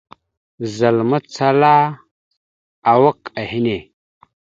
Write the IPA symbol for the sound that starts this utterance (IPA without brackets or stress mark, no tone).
z